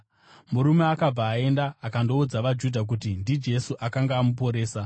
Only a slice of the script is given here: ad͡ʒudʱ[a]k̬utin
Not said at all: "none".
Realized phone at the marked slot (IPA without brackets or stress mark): a